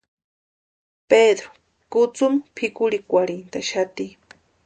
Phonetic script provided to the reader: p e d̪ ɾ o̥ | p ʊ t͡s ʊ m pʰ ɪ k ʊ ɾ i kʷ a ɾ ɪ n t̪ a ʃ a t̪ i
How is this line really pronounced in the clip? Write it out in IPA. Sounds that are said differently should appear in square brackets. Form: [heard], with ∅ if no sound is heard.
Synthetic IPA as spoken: p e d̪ ɾ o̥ | [k] ʊ t͡s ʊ m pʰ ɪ k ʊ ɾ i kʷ a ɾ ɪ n t̪ a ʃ a t̪ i